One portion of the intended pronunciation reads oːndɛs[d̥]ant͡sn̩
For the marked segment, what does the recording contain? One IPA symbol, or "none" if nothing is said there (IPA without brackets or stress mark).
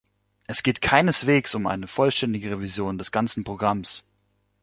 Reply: ɡ̥